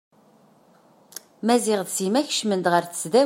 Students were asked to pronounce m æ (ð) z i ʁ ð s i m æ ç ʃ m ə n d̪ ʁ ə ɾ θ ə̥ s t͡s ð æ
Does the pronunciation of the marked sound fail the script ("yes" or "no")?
yes